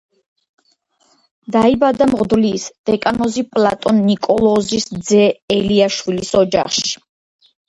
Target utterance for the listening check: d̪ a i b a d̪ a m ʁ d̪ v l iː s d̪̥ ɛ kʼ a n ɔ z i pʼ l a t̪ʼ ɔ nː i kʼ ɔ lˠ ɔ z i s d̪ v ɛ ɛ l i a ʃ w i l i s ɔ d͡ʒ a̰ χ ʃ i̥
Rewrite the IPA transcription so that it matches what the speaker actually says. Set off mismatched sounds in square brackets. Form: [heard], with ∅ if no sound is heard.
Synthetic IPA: d̪ a i b a d̪ a m ʁ d̪ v l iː s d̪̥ ɛ kʼ a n ɔ z i pʼ l a t̪ʼ ɔ nː i kʼ ɔ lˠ ɔ z i s d̪ [z] ɛ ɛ l i a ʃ w i l i s ɔ d͡ʒ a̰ χ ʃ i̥